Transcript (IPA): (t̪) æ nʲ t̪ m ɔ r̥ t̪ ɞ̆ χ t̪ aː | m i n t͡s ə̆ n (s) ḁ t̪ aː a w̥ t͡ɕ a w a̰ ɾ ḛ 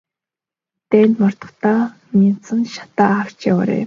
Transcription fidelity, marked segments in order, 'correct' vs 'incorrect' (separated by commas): correct, incorrect